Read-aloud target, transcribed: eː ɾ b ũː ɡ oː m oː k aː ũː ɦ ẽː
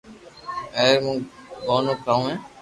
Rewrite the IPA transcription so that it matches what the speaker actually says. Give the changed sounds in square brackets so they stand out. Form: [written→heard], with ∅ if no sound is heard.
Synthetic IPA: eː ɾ [b→m] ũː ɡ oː [m→n] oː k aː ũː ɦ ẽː